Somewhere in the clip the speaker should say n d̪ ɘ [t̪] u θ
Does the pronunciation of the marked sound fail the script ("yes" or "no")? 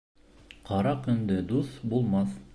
yes